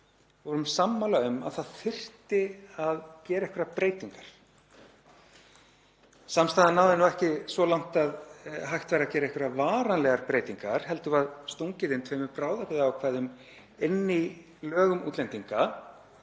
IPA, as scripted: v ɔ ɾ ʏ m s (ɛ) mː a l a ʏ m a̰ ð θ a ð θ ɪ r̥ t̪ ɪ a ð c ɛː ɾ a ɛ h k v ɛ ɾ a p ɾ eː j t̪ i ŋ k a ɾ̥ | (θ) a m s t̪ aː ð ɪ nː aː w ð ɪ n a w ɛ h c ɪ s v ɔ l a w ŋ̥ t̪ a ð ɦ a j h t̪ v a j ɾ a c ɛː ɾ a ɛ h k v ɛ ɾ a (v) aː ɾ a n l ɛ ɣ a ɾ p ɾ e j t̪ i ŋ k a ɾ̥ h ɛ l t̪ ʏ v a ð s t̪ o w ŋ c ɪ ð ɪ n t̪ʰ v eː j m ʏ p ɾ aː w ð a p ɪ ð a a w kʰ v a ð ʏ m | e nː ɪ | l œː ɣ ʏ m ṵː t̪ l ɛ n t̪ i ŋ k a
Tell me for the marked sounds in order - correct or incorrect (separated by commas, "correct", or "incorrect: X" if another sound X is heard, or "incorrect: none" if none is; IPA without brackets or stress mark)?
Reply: incorrect: a, incorrect: s, correct